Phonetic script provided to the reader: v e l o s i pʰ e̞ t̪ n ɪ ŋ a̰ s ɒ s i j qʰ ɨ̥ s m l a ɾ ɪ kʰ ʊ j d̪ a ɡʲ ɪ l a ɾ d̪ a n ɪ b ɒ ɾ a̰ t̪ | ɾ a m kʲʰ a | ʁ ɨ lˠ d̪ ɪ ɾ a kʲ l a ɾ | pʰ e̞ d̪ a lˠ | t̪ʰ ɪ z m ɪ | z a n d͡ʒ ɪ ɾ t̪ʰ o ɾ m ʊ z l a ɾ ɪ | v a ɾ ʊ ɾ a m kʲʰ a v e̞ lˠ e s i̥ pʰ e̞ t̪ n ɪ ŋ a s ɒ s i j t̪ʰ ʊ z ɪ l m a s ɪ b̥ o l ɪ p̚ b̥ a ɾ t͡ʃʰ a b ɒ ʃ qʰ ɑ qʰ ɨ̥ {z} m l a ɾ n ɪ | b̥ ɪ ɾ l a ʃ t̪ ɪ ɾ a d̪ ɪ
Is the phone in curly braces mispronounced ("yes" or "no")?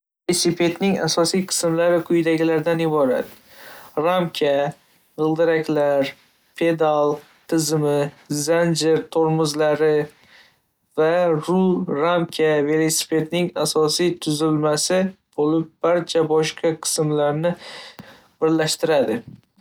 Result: yes